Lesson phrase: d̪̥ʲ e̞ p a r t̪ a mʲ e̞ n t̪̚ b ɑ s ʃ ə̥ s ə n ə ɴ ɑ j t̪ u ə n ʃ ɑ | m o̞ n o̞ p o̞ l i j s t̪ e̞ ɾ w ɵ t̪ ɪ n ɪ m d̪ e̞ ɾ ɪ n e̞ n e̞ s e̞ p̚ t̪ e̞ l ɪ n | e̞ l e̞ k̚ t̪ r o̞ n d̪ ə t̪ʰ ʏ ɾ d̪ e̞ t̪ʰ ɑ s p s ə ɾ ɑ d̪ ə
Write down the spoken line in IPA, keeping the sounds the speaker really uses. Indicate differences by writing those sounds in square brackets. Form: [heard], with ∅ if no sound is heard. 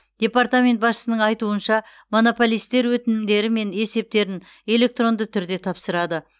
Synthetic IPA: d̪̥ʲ e̞ p a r t̪ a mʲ e̞ n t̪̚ b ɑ s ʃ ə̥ s ə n ə ɴ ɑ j t̪ u ə n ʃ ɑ | m o̞ n o̞ p o̞ l i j s t̪ e̞ ɾ w ɵ t̪ ɪ n ɪ m d̪ e̞ ɾ ɪ [m] e̞ n e̞ s e̞ p̚ t̪ e̞ [ɾ] ɪ n | e̞ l e̞ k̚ t̪ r o̞ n d̪ ə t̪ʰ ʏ ɾ d̪ e̞ t̪ʰ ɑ [∅] p s ə ɾ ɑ d̪ ə